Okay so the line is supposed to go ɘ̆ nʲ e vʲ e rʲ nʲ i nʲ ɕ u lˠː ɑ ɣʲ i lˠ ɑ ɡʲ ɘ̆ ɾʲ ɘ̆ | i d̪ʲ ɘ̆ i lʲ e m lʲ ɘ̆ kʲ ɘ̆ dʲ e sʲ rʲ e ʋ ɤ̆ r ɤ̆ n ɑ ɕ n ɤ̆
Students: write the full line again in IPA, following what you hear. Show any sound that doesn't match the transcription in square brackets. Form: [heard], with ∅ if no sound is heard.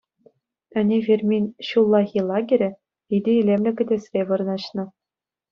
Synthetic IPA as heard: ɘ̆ nʲ e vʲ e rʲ [mʲ] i nʲ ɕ u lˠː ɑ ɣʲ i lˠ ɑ ɡʲ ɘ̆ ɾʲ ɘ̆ | i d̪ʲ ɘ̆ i lʲ e m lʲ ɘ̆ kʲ ɘ̆ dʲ e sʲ rʲ e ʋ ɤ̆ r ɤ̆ n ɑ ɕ n ɤ̆